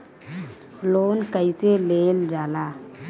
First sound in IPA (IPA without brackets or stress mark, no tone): l